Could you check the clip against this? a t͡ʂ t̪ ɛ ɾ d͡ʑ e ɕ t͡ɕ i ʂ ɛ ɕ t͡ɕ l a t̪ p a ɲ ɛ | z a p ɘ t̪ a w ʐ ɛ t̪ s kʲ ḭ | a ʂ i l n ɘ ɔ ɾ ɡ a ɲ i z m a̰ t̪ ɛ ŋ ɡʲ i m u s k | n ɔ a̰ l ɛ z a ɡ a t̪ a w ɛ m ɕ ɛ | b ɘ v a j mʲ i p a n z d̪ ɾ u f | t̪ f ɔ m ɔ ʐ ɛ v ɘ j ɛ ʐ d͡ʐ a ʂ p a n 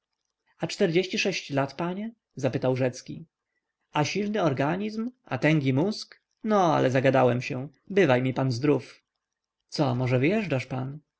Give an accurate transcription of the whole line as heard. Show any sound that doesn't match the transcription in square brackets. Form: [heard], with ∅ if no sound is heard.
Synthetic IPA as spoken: a t͡ʂ t̪ ɛ ɾ d͡ʑ e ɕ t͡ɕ i ʂ ɛ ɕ t͡ɕ l a t̪ p a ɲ ɛ | z a p ɘ t̪ a w ʐ ɛ t̪ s kʲ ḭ | a [ɕ] i l n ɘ ɔ ɾ ɡ a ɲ i z m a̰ t̪ ɛ ŋ ɡʲ i m u s k | n ɔ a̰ l ɛ z a ɡ a [d̪] a w ɛ m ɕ ɛ | b ɘ v a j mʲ i p a n z d̪ ɾ u f | t̪ [s] ɔ m ɔ ʐ ɛ v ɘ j ɛ ʐ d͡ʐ a ʂ p a n

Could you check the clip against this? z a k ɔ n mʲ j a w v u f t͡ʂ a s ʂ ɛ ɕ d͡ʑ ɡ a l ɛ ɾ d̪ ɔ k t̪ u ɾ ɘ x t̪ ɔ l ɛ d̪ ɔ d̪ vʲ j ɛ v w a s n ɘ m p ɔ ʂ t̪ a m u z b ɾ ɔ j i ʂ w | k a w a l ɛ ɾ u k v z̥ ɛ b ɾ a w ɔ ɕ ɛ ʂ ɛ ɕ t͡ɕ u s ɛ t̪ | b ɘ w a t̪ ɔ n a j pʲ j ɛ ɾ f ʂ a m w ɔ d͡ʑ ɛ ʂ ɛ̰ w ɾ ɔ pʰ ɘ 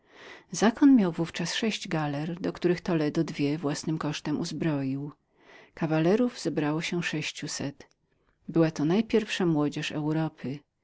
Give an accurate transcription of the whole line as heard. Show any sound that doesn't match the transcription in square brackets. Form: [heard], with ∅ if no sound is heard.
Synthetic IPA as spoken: z a k ɔ n mʲ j a w v u f t͡ʂ a s ʂ ɛ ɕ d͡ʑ ɡ a l ɛ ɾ d̪ ɔ k t̪ u ɾ ɘ x t̪ ɔ l ɛ d̪ ɔ d̪ vʲ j ɛ v w a s n ɘ m [k] ɔ ʂ t̪ [ɛ] m u z b ɾ ɔ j i [∅] w | k a [v] a l ɛ ɾ u [∅] v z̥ ɛ b ɾ a w ɔ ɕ ɛ ʂ ɛ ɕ t͡ɕ u s ɛ t̪ | b ɘ w a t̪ ɔ n a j pʲ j ɛ ɾ f ʂ a m w ɔ d͡ʑ ɛ ʂ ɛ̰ w ɾ ɔ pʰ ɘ

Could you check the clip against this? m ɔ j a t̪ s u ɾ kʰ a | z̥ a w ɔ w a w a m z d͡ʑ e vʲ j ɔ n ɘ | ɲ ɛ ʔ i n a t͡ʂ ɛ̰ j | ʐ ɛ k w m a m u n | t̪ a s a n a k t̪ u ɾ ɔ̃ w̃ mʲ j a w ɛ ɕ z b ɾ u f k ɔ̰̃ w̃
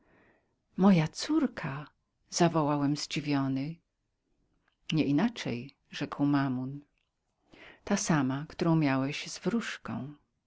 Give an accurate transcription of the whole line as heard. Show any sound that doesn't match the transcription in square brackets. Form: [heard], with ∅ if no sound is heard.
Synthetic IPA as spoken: m ɔ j a t̪ s u ɾ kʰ a | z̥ a [v] ɔ w a w [ɛ] m z d͡ʑ [i] vʲ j ɔ n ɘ | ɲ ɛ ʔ i n a t͡ʂ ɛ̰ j | ʐ ɛ k w m a m u n | t̪ a s a [m] a k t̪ u ɾ ɔ̃ w̃ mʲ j a w ɛ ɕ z [v] ɾ u [ʂ] k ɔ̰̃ w̃

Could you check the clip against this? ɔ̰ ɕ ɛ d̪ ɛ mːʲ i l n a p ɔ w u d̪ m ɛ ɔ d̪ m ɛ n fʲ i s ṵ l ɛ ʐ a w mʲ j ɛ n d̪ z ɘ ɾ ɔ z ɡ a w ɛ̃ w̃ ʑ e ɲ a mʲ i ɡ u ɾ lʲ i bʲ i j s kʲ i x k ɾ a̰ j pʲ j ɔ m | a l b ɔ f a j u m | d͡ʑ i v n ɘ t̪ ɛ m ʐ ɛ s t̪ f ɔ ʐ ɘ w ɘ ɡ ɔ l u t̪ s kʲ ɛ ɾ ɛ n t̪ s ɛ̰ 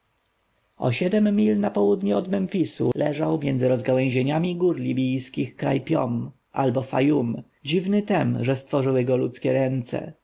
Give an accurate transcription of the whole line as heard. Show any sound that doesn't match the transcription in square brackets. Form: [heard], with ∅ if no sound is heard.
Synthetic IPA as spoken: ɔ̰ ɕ ɛ d̪ ɛ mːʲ i l n a p ɔ w u d̪ [ɲ] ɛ ɔ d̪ m ɛ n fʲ i s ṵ l ɛ ʐ a w mʲ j ɛ n d̪ z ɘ ɾ ɔ z ɡ a w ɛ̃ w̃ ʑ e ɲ a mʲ i ɡ u ɾ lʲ i bʲ i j s kʲ i x k ɾ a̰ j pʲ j ɔ m | a l b ɔ f a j u m | d͡ʑ i v n ɘ t̪ ɛ m ʐ ɛ s t̪ f ɔ ʐ ɘ w ɘ ɡ ɔ l u t̪ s kʲ ɛ ɾ ɛ n t̪ s ɛ̰

